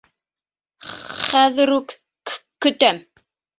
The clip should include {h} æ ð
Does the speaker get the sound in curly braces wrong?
yes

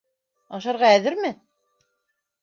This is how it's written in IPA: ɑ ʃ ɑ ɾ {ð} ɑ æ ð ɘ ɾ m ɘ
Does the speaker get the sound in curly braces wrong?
yes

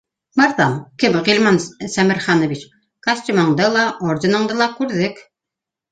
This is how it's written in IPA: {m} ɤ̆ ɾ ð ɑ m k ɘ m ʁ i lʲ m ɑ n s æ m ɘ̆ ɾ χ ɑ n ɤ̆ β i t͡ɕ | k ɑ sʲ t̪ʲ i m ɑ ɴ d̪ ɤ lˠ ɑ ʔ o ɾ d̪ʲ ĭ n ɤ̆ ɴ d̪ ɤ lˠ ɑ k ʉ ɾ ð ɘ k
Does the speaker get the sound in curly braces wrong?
no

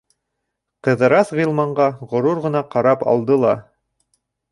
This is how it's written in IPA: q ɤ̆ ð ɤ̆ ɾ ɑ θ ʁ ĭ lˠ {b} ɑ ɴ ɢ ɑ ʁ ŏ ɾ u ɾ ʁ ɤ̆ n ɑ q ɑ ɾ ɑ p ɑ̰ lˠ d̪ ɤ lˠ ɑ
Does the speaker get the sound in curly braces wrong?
yes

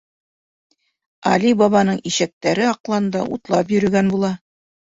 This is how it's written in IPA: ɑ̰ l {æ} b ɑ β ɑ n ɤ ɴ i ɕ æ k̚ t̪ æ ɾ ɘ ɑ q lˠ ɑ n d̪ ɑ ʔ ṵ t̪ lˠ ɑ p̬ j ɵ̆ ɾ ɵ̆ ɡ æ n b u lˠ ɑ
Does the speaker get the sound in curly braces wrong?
yes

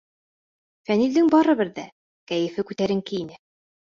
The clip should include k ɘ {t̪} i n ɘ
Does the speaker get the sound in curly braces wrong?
yes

